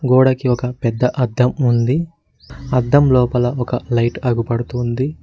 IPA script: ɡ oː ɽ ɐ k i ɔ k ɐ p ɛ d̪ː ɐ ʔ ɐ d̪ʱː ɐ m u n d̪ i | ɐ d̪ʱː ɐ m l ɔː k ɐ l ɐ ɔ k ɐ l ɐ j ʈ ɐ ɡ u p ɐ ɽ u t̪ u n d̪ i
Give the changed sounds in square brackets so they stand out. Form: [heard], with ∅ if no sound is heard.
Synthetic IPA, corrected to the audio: ɡ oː ɽ ɐ k i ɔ k ɐ p ɛ d̪ː ɐ ʔ ɐ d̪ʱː ɐ m u n d̪ i | ɐ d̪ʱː ɐ m l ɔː [p] ɐ l ɐ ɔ k ɐ l ɐ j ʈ ɐ ɡ u p ɐ ɽ u t̪ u n d̪ i